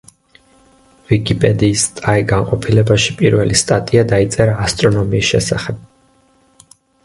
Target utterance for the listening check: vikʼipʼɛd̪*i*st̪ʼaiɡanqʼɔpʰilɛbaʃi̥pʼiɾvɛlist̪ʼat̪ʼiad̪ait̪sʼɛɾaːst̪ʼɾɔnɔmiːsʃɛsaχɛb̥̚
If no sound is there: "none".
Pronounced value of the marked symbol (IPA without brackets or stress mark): iː